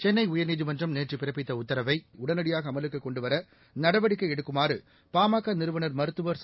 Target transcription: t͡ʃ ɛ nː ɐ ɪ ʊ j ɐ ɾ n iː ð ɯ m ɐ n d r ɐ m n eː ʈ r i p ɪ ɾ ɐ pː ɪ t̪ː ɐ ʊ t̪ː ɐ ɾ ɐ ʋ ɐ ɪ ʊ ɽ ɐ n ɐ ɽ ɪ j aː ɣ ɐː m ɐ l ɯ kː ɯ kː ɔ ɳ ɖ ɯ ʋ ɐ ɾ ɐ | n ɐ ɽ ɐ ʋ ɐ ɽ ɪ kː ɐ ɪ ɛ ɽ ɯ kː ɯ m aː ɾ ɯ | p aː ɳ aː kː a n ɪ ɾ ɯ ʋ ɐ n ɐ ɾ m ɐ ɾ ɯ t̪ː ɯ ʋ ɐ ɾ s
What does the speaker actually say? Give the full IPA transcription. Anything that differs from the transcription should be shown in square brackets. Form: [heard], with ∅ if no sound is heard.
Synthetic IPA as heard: t͡ʃ ɛ nː ɐ ɪ ʊ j ɐ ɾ n iː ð ɯ m ɐ n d r ɐ m n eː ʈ r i p ɪ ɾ ɐ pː ɪ t̪ː ɐ ʊ t̪ː ɐ ɾ ɐ ʋ ɐ ɪ ʊ ɽ ɐ n ɐ ɽ ɪ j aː ɣ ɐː m ɐ l ɯ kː ɯ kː ɔ ɳ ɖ ɯ ʋ ɐ ɾ ɐ | n ɐ ɽ ɐ ʋ ɐ ɽ ɪ kː ɐ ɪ ɛ ɽ ɯ kː ɯ m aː ɾ ɯ | p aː [m] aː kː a n ɪ ɾ ɯ ʋ ɐ n ɐ ɾ m ɐ ɾ ɯ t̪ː ɯ ʋ ɐ ɾ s